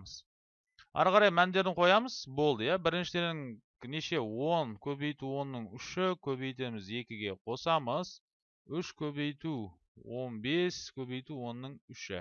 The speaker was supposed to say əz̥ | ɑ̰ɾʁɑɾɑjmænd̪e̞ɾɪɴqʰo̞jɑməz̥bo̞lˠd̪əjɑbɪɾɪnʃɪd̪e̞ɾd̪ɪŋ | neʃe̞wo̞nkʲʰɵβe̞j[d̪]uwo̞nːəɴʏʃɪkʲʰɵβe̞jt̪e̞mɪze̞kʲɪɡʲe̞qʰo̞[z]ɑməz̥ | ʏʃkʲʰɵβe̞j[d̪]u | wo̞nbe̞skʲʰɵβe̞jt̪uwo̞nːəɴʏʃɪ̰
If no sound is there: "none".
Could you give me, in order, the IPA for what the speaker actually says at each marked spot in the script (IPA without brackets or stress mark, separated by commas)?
t̪, s, t̪